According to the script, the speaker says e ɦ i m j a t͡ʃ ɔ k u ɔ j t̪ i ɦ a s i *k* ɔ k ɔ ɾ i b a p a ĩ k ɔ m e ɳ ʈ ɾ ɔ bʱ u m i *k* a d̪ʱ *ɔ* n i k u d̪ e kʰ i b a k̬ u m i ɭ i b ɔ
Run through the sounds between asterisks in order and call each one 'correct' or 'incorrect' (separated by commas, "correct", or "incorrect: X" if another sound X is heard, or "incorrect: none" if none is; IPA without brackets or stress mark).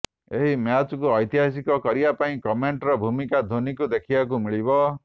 correct, correct, incorrect: o